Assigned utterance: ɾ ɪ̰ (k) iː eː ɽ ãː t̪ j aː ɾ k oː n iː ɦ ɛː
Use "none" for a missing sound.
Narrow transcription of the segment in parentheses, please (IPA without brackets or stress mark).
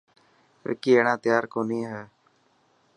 k